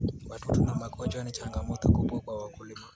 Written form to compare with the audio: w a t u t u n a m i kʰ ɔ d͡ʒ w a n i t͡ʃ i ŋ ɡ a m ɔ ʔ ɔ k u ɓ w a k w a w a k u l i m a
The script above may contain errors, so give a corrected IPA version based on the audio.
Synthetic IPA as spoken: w a t u t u n a m a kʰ ɔ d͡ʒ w a n i t͡ʃ a ŋ ɡ a m ɔ t ɔ k u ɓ w a k w a w a k u l i m a

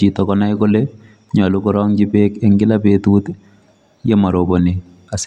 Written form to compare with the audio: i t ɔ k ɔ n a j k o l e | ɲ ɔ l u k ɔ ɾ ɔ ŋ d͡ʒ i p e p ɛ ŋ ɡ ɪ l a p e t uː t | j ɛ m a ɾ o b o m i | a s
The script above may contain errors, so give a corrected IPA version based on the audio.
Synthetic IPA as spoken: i t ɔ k ɔ n a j k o l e | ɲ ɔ l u k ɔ ɾ ɔ ŋ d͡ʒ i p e k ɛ ŋ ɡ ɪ l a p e t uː t | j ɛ m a ɾ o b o n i | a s

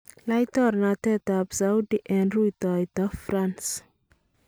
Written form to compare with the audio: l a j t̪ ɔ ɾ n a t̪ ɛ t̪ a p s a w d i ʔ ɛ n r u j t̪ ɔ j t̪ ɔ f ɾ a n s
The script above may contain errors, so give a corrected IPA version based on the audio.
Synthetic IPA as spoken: l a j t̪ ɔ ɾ n a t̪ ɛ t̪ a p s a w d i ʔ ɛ n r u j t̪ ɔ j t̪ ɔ f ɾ a n s

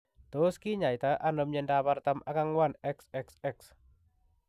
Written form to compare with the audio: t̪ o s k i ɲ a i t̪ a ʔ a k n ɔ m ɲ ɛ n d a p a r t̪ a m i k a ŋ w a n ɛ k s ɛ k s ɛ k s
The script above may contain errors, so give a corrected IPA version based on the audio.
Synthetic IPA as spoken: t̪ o s k i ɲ a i t̪ a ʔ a n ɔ m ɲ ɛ n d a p a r t̪ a m a k a ŋ w a n ɛ k s ɛ k s ɛ k s

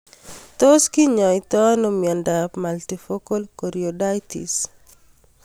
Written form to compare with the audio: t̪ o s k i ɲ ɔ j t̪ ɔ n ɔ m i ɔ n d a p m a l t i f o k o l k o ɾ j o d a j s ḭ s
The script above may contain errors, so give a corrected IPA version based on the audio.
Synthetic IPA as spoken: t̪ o s k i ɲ ɔ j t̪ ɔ n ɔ m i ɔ n d a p m a l t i f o k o l k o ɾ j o d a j t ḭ s

